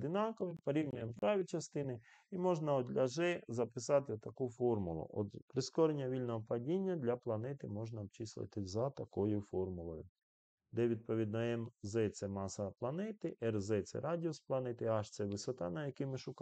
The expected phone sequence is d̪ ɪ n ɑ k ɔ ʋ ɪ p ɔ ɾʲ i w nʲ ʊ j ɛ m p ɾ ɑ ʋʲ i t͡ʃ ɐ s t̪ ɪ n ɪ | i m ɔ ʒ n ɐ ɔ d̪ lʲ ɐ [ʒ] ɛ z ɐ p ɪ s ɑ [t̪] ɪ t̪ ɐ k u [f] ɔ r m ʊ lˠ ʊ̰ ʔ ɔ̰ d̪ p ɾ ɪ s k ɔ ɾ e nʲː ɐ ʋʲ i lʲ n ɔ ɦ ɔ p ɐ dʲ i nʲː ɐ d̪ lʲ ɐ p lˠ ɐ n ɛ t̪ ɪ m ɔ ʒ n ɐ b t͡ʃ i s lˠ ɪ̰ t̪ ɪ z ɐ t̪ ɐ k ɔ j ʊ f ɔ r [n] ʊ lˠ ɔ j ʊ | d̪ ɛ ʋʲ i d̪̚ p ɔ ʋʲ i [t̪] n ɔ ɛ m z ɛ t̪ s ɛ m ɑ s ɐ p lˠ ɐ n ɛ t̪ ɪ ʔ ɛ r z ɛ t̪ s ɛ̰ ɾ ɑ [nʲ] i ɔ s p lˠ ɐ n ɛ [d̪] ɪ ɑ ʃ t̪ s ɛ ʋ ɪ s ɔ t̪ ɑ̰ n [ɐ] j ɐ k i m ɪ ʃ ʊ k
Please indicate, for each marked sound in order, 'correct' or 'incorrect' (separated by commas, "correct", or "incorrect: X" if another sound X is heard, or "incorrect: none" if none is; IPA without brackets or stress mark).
correct, correct, correct, incorrect: m, incorrect: d̪, incorrect: dʲ, incorrect: t̪, correct